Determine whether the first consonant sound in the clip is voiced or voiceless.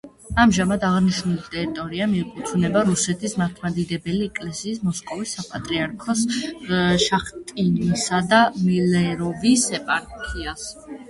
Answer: voiced